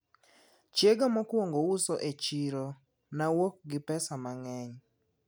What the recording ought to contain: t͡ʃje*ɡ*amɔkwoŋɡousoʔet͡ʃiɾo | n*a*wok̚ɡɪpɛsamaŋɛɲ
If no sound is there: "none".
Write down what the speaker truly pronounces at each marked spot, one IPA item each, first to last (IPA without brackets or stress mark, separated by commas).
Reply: ɡ, a